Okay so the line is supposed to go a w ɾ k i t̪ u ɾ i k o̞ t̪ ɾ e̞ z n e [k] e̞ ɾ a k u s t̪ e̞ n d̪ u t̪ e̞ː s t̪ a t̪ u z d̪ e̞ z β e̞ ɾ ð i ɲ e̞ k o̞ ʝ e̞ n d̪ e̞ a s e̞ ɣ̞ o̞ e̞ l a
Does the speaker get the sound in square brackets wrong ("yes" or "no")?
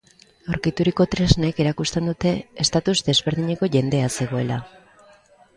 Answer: no